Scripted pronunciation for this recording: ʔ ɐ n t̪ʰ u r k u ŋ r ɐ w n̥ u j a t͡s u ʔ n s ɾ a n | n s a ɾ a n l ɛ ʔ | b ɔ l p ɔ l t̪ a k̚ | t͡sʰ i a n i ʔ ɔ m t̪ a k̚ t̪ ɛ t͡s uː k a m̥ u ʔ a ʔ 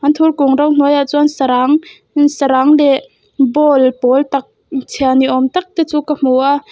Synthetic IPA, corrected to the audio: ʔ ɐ n t̪ʰ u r k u ŋ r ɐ w n̥ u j a t͡s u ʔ n s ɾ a ŋ | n s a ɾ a ŋ l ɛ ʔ | b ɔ l p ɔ l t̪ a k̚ | t͡sʰ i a n i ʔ ɔ m t̪ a k̚ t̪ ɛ t͡s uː k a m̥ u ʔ a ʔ